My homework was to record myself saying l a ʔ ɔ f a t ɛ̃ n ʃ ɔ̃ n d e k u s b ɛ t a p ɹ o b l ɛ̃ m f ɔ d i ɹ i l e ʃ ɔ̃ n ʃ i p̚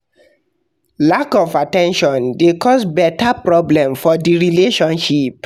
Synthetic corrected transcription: l a k ɔ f a t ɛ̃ n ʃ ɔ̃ n d e k ɔ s b ɛ t a p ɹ ɔ b l ɛ̃ m f ɔ d i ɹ i l e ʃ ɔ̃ n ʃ i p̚